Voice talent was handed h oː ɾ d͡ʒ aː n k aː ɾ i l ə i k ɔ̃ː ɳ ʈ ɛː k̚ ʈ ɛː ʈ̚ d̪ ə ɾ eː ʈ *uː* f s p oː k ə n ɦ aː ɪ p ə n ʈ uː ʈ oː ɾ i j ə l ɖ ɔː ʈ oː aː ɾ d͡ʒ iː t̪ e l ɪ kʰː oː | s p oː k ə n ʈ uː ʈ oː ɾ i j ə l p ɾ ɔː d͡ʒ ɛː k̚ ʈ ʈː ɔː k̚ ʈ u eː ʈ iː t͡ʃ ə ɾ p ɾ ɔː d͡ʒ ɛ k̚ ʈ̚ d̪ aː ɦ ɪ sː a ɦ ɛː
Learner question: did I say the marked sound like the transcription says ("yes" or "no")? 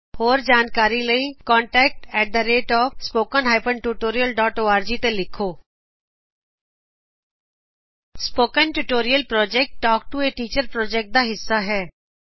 no